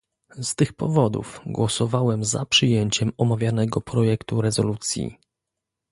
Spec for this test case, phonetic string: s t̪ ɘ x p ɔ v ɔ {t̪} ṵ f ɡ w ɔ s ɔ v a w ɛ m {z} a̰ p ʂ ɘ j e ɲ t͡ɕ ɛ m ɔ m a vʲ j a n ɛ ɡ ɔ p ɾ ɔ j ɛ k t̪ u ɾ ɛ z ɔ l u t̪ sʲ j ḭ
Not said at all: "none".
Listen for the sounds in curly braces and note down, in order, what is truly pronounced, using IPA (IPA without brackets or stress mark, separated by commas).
d̪, z